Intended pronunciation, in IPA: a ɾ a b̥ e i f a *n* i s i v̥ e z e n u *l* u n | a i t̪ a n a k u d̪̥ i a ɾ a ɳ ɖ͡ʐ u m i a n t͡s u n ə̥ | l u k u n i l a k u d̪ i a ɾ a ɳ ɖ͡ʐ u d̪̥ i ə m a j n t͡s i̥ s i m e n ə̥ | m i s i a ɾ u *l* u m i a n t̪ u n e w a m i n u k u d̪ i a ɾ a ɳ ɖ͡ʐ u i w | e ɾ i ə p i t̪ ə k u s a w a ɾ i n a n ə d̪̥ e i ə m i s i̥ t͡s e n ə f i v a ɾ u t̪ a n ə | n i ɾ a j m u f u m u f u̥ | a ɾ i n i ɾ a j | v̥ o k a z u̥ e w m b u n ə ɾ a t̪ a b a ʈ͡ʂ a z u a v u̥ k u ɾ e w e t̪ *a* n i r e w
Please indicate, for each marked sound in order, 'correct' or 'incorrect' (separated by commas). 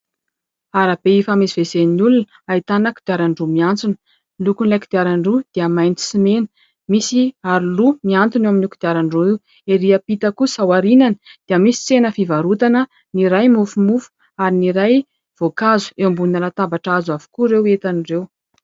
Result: incorrect, correct, correct, correct